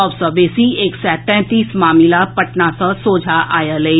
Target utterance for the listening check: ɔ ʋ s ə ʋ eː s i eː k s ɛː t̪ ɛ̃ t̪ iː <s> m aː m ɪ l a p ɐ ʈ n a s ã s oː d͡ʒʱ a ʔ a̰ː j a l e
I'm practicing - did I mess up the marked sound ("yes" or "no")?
no